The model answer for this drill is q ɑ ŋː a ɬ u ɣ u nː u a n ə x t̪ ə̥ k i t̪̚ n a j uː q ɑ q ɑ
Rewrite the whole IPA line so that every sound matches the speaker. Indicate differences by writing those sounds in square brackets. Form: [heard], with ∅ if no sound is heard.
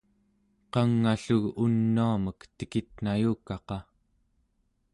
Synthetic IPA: q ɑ ŋː a ɬ u ɣ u nː u a [m] ə [k] t̪ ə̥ k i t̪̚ n a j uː [k] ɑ q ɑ